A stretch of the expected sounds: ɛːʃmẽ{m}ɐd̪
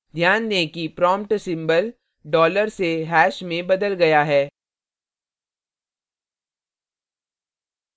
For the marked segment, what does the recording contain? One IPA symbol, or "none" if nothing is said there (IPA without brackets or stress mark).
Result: b